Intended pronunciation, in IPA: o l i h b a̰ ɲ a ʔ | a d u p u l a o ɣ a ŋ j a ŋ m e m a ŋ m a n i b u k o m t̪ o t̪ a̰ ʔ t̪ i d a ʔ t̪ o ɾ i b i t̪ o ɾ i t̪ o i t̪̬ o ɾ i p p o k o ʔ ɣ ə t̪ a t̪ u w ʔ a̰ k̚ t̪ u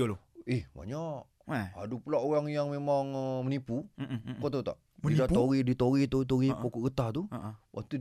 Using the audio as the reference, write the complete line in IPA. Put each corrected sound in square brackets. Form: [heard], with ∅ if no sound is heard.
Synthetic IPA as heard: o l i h b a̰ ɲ a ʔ | a d u p u l a o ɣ a ŋ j a ŋ m e m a ŋ m [ə] n i [p] u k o [∅] t̪ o t̪ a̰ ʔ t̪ i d a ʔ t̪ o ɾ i [d] i t̪ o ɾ i t̪ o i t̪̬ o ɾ i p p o k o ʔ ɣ ə t̪ a t̪ u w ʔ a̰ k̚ t̪ u